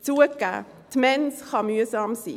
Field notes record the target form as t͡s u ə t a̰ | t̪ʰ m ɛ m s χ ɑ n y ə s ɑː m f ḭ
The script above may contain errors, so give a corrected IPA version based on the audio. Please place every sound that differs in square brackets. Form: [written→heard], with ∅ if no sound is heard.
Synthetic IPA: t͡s u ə [t→k] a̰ | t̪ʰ m ɛ [m→n] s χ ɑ [n→m] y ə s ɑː m [f→s] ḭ